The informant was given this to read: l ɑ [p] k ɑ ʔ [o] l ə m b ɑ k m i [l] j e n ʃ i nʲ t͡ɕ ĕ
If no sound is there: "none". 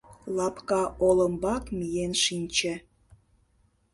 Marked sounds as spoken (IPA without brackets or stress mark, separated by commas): p, o, none